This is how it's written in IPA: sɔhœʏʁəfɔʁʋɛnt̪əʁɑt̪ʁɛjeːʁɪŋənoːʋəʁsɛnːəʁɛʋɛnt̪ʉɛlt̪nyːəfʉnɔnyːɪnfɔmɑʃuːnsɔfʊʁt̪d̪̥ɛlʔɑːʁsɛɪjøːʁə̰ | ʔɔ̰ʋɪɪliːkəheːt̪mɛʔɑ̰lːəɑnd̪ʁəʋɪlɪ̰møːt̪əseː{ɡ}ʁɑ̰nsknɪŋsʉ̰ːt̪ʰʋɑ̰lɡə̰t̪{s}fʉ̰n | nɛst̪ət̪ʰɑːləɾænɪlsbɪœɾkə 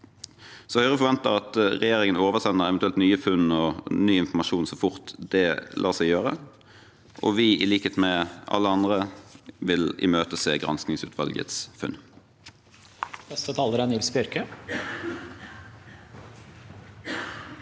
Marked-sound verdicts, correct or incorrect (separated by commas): correct, correct